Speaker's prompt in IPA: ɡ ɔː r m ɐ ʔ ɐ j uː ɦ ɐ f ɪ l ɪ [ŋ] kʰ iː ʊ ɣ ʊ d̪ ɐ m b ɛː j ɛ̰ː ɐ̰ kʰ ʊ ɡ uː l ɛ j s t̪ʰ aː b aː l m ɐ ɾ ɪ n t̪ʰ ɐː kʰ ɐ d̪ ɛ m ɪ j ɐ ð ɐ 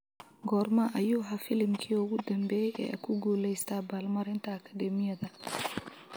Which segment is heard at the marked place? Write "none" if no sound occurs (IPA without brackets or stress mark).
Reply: m